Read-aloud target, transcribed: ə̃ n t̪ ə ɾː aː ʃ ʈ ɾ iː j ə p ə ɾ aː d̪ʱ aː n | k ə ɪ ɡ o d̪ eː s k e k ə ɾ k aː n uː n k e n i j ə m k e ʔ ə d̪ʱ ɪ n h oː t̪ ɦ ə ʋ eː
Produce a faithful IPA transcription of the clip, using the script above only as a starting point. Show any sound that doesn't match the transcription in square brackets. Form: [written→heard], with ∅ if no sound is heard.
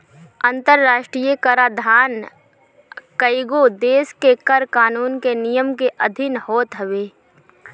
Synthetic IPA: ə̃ n t̪ ə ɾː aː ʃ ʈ ɾ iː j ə [p→k] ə ɾ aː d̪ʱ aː n | k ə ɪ ɡ o d̪ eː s k e k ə ɾ k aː n uː n k e n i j ə m k e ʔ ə d̪ʱ ɪ n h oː t̪ ɦ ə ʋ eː